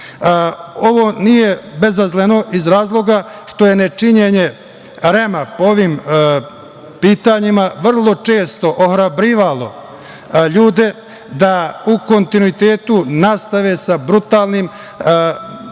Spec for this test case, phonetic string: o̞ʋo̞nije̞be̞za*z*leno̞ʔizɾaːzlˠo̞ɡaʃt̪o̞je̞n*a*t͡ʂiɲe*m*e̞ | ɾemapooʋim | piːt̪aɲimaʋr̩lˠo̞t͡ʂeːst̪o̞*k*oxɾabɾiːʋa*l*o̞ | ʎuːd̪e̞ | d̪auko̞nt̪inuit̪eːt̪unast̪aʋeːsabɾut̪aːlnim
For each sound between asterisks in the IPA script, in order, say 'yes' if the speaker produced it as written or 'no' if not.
yes, no, no, no, yes

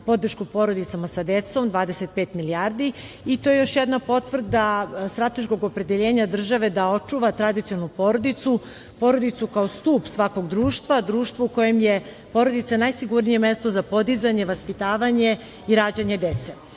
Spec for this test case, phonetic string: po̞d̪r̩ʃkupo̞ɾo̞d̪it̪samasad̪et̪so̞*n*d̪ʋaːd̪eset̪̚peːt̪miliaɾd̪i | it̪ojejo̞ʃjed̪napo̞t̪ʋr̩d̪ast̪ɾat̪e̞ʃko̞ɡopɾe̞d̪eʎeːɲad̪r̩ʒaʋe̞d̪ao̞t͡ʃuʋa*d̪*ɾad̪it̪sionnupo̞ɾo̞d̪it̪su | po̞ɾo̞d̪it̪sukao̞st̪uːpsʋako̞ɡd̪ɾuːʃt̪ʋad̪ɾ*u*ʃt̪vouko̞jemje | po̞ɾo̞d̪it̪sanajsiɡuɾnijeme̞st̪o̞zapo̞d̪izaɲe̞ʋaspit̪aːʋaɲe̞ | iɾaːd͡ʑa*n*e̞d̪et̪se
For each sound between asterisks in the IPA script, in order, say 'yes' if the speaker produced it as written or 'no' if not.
no, no, no, no

